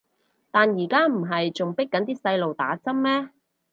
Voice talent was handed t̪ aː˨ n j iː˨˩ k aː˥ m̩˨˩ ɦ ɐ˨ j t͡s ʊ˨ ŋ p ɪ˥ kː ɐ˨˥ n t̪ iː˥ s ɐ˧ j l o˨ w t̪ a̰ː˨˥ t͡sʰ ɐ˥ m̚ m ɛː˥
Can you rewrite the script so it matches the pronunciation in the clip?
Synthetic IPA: t̪ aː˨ n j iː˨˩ k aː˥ m̩˨˩ ɦ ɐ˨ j t͡s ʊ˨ ŋ p ɪ˥ kː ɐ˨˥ n t̪ iː˥ s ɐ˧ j l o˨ w t̪ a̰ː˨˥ t͡s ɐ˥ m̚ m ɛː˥